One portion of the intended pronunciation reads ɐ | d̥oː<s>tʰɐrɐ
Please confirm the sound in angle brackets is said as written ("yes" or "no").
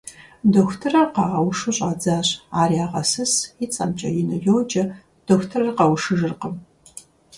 no